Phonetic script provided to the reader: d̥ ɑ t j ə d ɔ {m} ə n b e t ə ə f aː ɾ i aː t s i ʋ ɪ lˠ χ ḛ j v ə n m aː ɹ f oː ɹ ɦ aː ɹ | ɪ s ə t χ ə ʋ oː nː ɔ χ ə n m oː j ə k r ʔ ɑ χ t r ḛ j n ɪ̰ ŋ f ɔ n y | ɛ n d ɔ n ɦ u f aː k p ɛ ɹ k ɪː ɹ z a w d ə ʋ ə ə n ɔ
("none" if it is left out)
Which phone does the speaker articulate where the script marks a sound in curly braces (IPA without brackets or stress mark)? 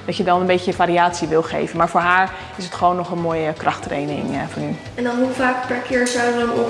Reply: n